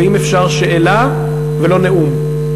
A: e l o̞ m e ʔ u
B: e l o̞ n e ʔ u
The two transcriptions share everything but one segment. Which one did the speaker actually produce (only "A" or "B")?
B